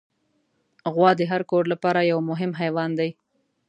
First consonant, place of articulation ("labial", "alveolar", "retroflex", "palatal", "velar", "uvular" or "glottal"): velar